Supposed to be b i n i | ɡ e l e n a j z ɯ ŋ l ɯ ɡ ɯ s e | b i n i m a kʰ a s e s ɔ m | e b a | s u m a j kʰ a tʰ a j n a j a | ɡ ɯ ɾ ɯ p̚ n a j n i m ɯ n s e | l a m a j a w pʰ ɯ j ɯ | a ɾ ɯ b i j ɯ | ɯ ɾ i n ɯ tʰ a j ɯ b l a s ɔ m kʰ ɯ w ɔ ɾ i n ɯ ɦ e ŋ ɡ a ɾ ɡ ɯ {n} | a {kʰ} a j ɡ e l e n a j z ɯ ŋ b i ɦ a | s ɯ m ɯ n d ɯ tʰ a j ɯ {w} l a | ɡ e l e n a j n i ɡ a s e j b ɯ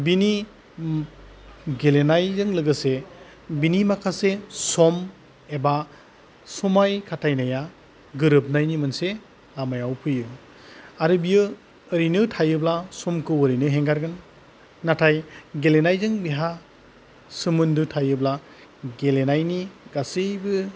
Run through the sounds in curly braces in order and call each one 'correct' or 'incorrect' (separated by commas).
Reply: incorrect, incorrect, incorrect